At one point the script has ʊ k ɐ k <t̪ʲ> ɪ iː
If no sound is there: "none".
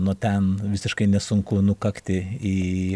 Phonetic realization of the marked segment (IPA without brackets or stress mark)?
t̪ʲ